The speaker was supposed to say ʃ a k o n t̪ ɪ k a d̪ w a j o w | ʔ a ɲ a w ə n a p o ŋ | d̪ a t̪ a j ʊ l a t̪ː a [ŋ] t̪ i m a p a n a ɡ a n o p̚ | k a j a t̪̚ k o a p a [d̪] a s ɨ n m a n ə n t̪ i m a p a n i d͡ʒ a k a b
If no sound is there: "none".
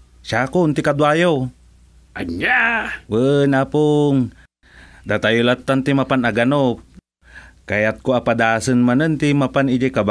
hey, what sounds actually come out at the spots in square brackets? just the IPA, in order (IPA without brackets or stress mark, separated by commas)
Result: n, d̪